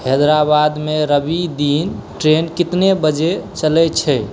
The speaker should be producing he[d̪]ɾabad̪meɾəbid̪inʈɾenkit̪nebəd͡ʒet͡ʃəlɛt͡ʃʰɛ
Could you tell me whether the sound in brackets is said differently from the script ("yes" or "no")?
no